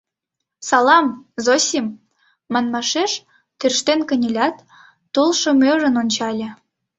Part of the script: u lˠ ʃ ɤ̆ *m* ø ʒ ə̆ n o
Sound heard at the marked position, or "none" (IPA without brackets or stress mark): m